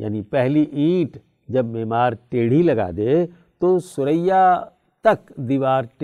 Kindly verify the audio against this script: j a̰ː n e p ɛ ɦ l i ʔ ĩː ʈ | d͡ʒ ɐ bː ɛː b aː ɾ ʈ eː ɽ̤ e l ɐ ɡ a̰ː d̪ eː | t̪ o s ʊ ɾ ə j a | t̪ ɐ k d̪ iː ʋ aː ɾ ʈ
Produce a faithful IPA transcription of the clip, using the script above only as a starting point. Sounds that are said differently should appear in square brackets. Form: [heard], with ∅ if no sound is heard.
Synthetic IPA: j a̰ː n [i] p ɛ ɦ l i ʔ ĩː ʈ | d͡ʒ ɐ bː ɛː [m] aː ɾ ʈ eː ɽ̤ [i] l ɐ ɡ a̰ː d̪ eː | t̪ o s ʊ ɾ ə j a | t̪ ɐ k d̪ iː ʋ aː ɾ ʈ